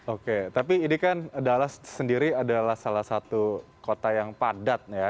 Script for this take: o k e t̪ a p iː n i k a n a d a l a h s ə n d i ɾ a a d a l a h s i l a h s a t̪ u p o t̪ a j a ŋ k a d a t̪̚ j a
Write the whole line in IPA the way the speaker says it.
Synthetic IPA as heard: o k e t̪ a p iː n i k a n a d a l a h s ə n d i ɾ i a d a l a h s a l a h s a t̪ u k o t̪ a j a ŋ p a d a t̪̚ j a